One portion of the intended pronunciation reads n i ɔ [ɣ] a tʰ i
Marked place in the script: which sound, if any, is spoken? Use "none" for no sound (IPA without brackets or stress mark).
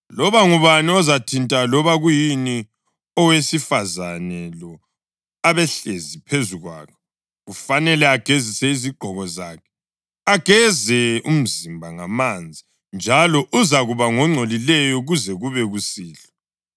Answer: z